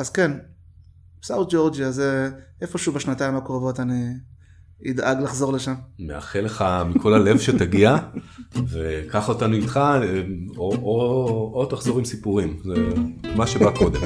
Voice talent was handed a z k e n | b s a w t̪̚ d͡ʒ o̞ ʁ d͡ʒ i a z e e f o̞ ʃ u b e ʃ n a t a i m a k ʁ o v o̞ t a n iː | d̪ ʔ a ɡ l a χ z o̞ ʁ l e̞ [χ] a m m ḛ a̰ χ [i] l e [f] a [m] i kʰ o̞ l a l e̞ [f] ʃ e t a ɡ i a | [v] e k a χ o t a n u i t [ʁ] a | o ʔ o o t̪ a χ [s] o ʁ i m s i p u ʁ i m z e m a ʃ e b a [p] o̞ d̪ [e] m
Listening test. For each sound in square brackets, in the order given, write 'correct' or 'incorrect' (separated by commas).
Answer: incorrect, incorrect, incorrect, correct, incorrect, correct, incorrect, incorrect, incorrect, correct